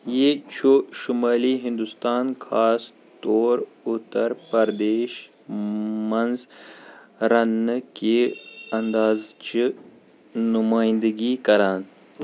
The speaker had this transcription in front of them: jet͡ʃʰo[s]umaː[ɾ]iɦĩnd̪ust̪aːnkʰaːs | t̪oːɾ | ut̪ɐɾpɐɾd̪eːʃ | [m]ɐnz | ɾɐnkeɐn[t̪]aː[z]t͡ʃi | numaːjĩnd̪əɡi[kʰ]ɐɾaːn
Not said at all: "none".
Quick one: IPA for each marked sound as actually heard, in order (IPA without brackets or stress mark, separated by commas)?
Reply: ʃ, l, m, d̪, z, k